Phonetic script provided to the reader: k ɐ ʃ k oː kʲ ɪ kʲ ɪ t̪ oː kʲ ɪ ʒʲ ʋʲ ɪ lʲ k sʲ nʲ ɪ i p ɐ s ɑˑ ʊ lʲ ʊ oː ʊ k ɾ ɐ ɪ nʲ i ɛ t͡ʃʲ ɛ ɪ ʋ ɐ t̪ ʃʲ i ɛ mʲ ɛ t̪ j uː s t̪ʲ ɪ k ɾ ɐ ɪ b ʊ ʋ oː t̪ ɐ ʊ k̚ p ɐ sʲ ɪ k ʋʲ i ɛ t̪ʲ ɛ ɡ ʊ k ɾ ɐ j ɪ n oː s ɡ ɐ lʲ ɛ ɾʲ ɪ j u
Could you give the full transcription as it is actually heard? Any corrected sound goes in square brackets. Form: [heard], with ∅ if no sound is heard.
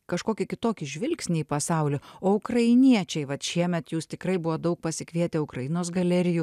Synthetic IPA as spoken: k ɐ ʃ k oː kʲ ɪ kʲ ɪ t̪ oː kʲ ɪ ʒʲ ʋʲ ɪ lʲ k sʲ nʲ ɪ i p ɐ s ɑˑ ʊ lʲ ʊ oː ʊ k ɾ ɐ ɪ nʲ i ɛ t͡ʃʲ ɛ ɪ ʋ ɐ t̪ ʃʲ i ɛ mʲ ɛ t̪ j uː s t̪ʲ ɪ k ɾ ɐ ɪ b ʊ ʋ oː [d̪] ɐ ʊ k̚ p ɐ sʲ ɪ k ʋʲ i ɛ t̪ʲ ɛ [∅] ʊ k ɾ ɐ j ɪ n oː s ɡ ɐ lʲ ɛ ɾʲ ɪ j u